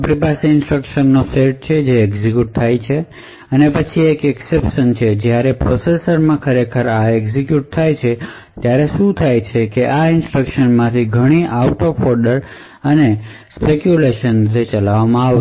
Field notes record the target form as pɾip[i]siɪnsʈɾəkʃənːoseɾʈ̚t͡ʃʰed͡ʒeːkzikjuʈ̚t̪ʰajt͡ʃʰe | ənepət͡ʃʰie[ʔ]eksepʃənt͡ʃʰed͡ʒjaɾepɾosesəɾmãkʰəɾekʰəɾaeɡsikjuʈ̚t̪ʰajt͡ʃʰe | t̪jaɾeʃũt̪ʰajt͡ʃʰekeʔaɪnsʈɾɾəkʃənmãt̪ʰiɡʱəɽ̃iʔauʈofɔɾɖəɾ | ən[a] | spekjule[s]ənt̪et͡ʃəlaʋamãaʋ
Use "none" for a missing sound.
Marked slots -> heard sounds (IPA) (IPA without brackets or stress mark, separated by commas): a, k, e, ʃ